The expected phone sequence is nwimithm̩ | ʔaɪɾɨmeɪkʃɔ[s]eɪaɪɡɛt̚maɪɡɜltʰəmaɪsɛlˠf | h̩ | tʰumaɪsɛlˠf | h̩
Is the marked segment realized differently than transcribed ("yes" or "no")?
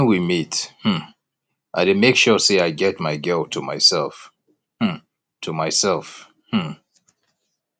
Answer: no